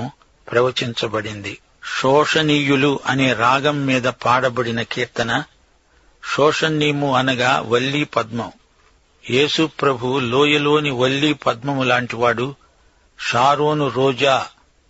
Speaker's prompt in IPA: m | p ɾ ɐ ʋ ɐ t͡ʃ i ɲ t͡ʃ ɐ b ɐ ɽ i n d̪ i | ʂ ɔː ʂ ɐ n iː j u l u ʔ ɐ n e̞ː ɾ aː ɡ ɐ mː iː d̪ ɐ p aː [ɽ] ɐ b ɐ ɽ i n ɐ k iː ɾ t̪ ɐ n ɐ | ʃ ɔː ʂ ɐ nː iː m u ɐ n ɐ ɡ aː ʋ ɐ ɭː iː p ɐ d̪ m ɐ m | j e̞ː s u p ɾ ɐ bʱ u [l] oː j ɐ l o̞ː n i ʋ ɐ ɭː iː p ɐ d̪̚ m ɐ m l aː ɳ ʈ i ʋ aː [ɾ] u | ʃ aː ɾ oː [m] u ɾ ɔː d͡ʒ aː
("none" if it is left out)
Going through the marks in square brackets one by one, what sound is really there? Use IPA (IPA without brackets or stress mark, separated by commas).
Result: ɽ, l, ɽ, n